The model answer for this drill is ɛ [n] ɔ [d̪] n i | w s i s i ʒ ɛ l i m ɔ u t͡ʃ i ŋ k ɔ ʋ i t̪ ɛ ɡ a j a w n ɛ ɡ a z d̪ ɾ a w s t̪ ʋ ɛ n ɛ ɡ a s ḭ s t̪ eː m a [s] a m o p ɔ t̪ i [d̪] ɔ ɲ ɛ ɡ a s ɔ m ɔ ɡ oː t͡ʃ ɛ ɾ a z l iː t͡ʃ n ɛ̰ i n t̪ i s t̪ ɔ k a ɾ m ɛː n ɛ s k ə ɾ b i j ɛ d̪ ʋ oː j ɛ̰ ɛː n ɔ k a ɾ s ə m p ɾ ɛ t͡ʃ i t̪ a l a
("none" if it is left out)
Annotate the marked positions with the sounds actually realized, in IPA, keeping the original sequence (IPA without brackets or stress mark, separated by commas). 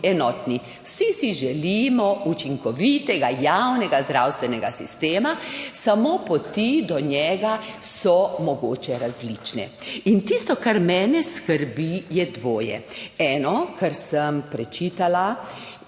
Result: n, t̪, s, d̪